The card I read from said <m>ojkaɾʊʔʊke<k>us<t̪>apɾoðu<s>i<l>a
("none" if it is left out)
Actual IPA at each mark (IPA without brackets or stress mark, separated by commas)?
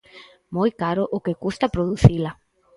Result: m, k, t̪, θ, l